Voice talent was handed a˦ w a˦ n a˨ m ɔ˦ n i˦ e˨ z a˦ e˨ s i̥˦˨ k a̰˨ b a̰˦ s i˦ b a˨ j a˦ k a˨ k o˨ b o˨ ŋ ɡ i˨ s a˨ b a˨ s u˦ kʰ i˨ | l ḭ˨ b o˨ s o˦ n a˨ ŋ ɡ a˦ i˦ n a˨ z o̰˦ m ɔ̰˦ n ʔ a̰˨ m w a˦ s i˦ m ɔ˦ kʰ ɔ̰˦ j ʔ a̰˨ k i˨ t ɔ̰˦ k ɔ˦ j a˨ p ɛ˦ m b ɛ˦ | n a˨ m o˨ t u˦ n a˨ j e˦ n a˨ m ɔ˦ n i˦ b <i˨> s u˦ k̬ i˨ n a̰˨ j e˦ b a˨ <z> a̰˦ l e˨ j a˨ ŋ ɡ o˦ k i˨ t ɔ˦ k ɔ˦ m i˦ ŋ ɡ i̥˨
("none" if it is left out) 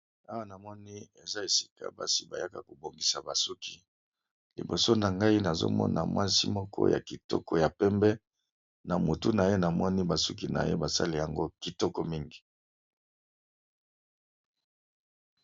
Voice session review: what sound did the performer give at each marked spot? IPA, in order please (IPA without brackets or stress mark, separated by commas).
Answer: a˨, s